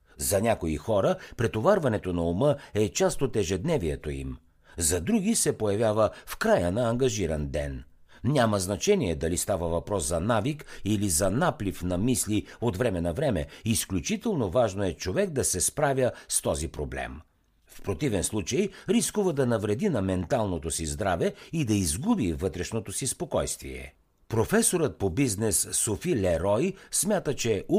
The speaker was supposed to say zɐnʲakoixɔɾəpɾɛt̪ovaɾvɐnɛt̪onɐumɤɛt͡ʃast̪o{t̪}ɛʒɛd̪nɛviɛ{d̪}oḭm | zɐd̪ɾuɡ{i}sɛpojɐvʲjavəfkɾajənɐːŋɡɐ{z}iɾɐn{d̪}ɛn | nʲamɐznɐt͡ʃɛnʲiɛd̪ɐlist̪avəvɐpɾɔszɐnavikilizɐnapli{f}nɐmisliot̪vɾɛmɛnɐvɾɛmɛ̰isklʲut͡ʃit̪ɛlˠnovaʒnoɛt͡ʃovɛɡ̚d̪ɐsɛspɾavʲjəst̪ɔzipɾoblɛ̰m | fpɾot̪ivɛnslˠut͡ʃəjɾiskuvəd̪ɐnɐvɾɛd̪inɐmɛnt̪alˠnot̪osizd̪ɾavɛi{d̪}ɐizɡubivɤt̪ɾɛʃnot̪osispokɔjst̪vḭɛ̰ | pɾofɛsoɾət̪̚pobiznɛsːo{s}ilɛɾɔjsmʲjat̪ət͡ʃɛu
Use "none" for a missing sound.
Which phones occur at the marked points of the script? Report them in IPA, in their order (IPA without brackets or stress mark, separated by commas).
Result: t̪, t̪, i, ʒ, d̪, f, d̪, f